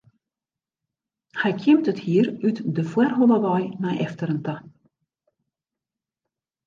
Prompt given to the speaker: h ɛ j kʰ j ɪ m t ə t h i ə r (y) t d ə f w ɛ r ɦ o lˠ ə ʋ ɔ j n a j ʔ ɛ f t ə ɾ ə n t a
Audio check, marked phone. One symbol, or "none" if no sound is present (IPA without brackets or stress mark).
y